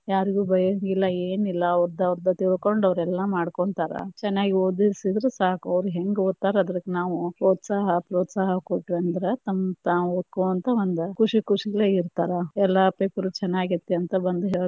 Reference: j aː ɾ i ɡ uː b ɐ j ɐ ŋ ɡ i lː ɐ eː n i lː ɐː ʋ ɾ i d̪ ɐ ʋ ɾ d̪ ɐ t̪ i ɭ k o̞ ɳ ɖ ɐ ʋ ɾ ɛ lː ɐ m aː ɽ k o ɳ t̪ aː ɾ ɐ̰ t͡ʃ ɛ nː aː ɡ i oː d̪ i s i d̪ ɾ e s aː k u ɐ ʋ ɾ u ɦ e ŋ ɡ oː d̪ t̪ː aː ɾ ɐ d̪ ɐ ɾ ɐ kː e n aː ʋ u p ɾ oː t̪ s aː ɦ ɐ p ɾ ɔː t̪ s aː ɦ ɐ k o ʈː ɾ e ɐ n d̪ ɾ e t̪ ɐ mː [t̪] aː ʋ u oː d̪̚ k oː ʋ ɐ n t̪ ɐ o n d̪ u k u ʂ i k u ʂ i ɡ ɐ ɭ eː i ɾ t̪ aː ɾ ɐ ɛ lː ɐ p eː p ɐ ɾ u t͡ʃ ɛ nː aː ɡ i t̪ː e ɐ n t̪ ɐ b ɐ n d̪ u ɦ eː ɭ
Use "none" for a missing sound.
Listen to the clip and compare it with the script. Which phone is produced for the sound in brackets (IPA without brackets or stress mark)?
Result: t̪